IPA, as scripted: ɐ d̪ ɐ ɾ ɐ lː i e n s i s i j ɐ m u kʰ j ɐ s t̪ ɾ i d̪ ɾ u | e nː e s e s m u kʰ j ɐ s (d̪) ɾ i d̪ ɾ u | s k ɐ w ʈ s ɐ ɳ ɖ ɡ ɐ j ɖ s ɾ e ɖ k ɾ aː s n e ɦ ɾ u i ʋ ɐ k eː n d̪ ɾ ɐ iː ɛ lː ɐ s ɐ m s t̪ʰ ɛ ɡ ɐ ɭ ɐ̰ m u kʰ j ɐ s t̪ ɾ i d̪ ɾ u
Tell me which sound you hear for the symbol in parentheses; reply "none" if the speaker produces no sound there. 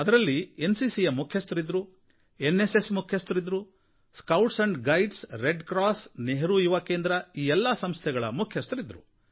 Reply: t̪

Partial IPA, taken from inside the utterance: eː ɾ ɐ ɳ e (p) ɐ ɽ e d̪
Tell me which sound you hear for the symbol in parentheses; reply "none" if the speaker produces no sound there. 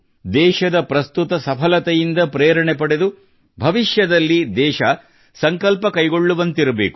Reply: p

